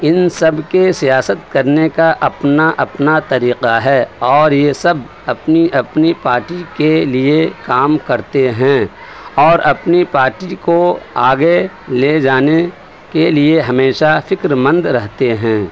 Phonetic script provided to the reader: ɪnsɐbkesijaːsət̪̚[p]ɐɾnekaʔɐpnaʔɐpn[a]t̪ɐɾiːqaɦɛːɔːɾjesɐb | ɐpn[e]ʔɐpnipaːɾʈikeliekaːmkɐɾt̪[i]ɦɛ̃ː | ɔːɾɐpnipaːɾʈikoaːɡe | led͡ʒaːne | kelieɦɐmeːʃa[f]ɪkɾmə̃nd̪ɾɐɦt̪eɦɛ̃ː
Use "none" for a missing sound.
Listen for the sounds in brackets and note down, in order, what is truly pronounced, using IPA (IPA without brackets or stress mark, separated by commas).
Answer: k, a, i, e, f